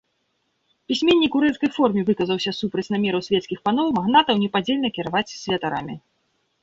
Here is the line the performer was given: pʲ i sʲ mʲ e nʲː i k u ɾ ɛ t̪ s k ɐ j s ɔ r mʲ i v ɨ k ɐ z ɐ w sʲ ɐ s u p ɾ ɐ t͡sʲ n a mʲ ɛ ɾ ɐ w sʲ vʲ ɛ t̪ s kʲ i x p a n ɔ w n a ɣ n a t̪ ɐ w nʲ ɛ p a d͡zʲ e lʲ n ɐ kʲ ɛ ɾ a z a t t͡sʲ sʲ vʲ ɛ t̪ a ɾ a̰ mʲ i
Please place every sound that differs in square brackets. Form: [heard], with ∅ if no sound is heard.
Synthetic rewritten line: pʲ i sʲ mʲ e nʲː i k u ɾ ɛ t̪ s k ɐ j [f] ɔ r mʲ i v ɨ k ɐ z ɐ w sʲ ɐ s u p ɾ ɐ t͡sʲ n a mʲ ɛ ɾ ɐ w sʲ vʲ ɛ t̪ s kʲ i x p a n ɔ w [m] a ɣ n a t̪ ɐ w nʲ ɛ p a d͡zʲ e lʲ n ɐ kʲ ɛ ɾ a [v] a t t͡sʲ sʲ vʲ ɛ t̪ a ɾ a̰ mʲ i